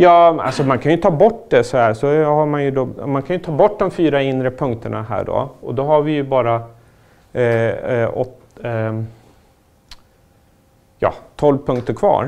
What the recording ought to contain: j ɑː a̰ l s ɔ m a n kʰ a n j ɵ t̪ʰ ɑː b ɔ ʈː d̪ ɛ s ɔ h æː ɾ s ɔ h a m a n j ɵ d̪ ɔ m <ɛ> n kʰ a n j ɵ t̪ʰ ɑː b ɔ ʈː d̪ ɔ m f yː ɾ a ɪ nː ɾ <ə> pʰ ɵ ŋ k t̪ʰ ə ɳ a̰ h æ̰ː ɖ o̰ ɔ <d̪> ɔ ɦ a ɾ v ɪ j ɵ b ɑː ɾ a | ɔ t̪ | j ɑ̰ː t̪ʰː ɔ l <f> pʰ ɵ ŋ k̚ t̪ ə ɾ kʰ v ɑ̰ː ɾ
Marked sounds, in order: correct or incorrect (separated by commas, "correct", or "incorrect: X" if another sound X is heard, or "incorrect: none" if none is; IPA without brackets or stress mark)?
incorrect: a, correct, correct, incorrect: v